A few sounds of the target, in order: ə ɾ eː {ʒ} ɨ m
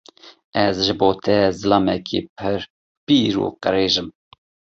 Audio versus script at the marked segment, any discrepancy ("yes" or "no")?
no